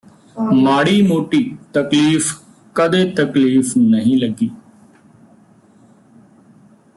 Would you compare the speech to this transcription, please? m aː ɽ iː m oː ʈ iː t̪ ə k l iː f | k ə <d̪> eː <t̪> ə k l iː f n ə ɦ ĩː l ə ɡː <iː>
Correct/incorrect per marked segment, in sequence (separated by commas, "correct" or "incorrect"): correct, correct, correct